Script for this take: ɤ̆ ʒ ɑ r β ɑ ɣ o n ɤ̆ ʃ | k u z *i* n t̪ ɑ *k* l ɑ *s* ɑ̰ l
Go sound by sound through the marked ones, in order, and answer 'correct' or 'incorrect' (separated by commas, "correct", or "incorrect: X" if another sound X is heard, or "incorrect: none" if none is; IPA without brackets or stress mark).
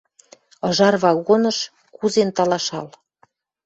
incorrect: e, incorrect: none, incorrect: ʃ